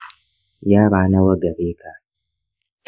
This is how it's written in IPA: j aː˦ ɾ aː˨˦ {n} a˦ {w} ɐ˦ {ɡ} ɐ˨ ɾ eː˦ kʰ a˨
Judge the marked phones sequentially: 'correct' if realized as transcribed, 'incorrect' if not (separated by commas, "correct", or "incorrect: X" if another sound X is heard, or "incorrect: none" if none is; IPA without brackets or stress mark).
correct, correct, correct